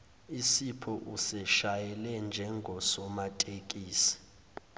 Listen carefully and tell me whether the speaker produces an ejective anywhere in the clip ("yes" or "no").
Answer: yes